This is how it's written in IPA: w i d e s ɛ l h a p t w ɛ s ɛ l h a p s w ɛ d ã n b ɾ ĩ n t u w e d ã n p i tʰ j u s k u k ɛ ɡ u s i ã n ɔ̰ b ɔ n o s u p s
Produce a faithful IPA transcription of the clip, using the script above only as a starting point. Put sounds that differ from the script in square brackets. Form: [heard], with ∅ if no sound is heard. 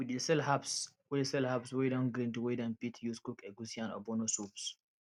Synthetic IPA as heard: w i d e s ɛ l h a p [s] w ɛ s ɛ l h a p s w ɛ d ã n [ɡ] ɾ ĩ n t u w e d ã n p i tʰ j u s k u k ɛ ɡ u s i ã n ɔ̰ b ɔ n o s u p s